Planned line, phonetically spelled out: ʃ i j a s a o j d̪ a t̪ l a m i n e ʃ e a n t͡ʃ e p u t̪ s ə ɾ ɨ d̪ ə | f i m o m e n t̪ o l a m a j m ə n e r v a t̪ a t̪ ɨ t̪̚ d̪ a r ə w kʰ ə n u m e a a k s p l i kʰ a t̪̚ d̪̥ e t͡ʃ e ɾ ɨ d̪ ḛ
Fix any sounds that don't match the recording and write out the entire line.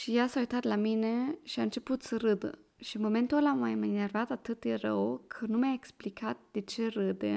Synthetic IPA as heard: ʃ i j a s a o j t̪ a t̪ l a m i n e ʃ i a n t͡ʃ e p u t̪ s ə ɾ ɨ d̪ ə | ʃ i m o m e n t̪ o l a m a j m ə n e r v a t̪ a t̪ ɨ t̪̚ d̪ e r ə w kʰ ə n u m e a e k s p l i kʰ a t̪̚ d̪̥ e t͡ʃ e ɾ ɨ d̪ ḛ